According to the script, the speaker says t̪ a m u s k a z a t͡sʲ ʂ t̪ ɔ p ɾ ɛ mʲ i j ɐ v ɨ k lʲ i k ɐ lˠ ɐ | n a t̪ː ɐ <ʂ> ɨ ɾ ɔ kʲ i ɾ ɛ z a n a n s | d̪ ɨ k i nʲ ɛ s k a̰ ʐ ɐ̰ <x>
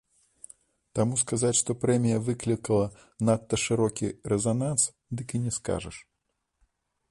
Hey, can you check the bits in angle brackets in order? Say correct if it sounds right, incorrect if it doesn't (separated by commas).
correct, incorrect